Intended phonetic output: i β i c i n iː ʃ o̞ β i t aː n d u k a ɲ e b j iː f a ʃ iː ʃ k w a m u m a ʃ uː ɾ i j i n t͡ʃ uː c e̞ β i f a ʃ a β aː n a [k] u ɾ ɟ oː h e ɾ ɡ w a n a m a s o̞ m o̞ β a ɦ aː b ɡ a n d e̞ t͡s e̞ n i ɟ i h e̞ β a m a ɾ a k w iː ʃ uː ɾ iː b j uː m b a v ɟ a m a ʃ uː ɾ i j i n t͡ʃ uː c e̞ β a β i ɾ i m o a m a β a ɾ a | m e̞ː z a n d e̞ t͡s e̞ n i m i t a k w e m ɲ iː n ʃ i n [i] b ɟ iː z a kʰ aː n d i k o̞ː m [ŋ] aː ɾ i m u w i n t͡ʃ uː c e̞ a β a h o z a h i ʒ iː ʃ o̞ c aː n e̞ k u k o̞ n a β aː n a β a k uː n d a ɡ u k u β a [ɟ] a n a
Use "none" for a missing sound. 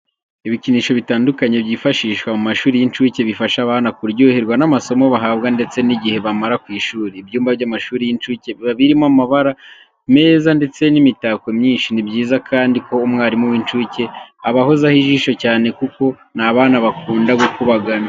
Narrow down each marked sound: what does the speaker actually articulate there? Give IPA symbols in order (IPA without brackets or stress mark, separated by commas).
k, i, ŋ, ɡ